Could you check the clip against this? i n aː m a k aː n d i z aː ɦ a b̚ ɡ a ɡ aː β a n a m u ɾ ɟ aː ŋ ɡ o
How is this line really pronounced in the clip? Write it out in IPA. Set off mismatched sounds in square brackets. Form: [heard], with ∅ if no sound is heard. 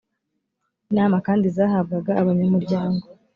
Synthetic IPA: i n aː m a k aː n d i z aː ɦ a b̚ ɡ a ɡ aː β a [ɲ] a m u ɾ ɟ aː ŋ ɡ o